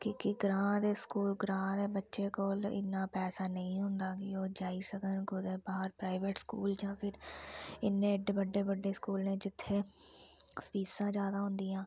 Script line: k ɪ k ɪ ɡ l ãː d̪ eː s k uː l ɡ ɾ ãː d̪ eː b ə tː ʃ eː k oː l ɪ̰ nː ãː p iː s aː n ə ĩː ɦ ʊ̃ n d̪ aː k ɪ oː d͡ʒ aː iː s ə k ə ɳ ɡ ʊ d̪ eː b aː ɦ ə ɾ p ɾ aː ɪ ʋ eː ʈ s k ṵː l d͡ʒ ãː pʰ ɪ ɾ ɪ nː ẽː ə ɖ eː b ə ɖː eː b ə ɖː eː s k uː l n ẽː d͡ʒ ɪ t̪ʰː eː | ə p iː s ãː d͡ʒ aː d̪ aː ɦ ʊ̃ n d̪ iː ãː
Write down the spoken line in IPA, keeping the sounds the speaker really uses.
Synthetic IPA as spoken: k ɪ k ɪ ɡ ɾ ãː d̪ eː s k uː l ɡ ɾ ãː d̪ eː b ə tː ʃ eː k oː l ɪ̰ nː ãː p ɛː s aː n ə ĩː ɦ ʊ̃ n d̪ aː k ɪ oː d͡ʒ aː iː s ə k ə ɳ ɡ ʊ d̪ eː b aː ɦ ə ɾ p ɾ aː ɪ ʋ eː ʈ s k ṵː l d͡ʒ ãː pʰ ɪ ɾ ɪ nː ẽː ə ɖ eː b ə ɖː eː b ə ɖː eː s k uː l n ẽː d͡ʒ ɪ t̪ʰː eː | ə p iː s ãː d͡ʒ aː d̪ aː ɦ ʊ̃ n d̪ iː ãː